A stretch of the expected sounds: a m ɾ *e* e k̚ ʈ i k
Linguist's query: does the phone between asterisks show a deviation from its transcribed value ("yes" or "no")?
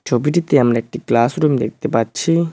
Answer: yes